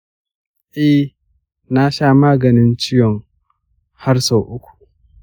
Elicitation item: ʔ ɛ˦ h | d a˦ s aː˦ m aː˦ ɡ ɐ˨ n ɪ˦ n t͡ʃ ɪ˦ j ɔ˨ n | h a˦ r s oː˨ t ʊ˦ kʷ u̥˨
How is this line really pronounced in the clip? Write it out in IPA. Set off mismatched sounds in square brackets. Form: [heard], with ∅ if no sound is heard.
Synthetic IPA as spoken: ʔ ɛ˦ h | [n] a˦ [ʃ] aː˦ m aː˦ ɡ ɐ˨ n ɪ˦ n t͡ʃ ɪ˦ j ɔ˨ [ŋ] | h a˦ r s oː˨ [ʔ] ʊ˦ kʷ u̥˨

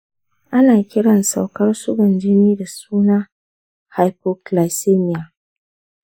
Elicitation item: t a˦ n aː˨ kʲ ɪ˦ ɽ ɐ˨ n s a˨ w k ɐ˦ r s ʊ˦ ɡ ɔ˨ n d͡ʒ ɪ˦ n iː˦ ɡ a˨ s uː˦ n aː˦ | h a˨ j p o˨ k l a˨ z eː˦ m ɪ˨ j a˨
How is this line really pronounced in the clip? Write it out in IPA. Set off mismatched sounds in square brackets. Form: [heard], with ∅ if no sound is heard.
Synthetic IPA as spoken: [ʔ] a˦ n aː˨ kʲ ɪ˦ ɽ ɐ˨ n s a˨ w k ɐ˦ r s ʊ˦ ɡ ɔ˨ n d͡ʒ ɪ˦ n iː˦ [d] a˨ s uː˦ n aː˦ | h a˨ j p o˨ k l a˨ [s] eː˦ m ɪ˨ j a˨

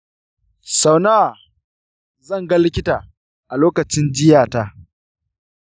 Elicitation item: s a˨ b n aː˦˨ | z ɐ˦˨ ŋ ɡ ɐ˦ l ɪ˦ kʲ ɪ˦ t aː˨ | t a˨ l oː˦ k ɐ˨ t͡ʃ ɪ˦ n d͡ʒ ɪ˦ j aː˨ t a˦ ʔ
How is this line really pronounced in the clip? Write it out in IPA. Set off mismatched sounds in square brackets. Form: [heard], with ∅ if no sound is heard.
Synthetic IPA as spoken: s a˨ [w] n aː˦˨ | z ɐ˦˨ ŋ ɡ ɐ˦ l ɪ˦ kʲ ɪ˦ t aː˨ | [ʔ] a˨ l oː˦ k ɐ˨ t͡ʃ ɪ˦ n d͡ʒ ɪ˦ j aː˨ t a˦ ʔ

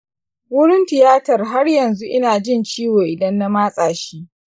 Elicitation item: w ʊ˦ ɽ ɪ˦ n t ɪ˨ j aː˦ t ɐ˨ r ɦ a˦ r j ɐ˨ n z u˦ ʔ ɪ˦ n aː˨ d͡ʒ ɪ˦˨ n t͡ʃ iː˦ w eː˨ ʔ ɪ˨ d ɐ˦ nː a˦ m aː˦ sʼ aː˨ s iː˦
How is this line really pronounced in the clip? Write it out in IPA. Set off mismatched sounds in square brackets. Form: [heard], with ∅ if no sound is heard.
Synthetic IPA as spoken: w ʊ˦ ɽ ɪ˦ n t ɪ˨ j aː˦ t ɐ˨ r ɦ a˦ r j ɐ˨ n z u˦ ʔ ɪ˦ n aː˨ d͡ʒ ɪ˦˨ n t͡ʃ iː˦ w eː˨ ʔ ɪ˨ d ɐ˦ nː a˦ m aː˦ sʼ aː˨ [ʃ] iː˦

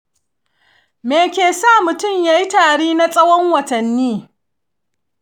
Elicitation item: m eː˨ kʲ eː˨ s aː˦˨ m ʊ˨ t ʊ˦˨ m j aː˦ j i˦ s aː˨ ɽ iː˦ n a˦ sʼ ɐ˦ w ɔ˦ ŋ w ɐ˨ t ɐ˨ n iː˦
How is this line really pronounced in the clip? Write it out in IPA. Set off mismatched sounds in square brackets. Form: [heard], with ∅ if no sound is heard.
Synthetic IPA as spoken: m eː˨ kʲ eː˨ s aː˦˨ m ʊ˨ t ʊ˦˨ m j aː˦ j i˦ [t] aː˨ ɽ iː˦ n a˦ sʼ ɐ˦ w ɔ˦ ŋ w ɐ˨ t ɐ˨ [nː] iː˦

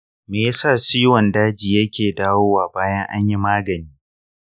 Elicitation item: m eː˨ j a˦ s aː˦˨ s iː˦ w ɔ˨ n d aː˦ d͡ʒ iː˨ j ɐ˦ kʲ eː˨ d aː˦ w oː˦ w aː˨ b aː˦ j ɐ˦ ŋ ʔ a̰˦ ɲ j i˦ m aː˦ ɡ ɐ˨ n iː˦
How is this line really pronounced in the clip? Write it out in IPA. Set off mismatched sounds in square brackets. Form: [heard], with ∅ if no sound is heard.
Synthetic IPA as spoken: m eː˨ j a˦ s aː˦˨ s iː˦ w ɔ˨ n d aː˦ d͡ʒ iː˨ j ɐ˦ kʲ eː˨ d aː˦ w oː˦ w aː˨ b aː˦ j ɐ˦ ŋ ʔ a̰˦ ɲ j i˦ m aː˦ ɡ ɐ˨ n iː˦

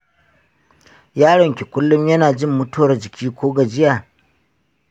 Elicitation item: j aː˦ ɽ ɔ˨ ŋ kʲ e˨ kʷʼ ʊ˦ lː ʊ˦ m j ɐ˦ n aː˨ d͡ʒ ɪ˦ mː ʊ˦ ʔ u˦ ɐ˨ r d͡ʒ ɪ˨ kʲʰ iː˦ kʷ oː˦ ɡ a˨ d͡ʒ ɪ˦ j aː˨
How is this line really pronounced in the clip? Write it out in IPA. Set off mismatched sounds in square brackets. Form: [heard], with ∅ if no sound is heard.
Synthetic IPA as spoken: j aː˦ ɽ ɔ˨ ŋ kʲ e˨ [kʷ] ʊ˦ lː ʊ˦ m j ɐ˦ n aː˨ d͡ʒ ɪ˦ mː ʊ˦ [t] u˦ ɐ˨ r d͡ʒ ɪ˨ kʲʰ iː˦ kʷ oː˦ ɡ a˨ d͡ʒ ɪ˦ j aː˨

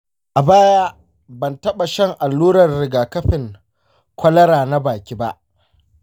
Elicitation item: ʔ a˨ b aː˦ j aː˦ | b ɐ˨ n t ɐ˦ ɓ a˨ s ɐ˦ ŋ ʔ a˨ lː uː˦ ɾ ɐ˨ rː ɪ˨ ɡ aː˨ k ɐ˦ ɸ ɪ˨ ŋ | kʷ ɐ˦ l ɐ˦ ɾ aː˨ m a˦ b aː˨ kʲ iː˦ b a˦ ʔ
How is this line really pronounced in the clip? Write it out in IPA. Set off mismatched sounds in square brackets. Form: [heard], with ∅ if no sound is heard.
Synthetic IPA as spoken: ʔ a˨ b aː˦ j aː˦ | b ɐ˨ n t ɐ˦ ɓ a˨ [ʃ] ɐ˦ ŋ ʔ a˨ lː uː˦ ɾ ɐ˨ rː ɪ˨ ɡ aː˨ k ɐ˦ ɸ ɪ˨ ŋ | kʷ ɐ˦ l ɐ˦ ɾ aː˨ [n] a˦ b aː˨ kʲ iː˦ b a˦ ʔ

